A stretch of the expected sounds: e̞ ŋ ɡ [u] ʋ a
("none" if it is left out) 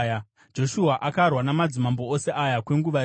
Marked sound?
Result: u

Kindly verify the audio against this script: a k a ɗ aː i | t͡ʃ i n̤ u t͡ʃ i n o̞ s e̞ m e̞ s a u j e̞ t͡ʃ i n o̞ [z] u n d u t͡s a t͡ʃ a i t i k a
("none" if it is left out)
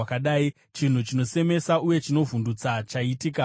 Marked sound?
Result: v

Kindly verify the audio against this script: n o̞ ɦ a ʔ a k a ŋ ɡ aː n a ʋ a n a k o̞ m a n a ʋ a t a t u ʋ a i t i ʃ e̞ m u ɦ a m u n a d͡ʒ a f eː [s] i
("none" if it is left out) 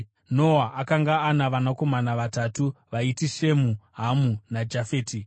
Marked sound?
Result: t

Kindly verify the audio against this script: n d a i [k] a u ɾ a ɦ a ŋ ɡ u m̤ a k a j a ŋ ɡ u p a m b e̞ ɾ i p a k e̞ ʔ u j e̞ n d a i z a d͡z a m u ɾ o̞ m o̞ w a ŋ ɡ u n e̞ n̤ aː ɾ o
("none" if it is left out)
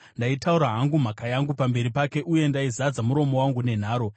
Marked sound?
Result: t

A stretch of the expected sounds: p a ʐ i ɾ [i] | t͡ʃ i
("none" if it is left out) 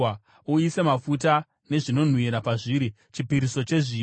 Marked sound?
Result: i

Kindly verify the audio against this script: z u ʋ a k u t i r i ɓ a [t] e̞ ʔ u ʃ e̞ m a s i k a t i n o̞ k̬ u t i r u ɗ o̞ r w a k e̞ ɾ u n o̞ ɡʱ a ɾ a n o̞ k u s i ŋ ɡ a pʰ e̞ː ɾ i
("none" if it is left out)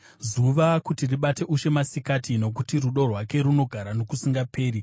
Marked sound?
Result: t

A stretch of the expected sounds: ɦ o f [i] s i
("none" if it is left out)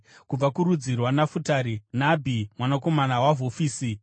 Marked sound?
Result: iː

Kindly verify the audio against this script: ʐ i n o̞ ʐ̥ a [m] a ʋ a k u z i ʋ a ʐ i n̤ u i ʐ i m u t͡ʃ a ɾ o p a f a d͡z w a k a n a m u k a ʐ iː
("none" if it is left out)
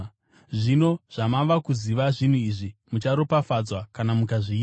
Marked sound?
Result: m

